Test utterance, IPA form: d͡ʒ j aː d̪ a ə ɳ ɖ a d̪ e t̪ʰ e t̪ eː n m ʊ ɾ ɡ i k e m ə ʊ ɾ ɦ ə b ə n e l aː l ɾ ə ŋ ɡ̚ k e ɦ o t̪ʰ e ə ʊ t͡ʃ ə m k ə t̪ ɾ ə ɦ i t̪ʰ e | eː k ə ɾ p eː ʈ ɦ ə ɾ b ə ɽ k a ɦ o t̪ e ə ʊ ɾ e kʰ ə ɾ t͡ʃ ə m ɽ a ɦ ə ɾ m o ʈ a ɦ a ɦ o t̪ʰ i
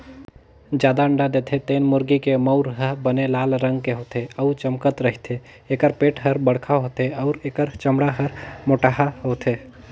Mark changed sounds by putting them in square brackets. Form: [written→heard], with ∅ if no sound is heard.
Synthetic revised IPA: d͡ʒ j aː d̪ a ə ɳ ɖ a d̪ e t̪ʰ e t̪ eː n m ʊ ɾ ɡ i k e m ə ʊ ɾ ɦ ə b ə n e l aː l ɾ ə ŋ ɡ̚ k e ɦ o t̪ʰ e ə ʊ t͡ʃ ə m k ə t̪ ɾ ə ɦ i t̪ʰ e | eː k ə ɾ p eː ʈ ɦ ə ɾ b ə ɽ [k→kʰ] a ɦ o t̪ e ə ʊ ɾ e [kʰ→k] ə ɾ t͡ʃ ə m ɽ a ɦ ə ɾ m o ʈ a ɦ a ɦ o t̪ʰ [i→e]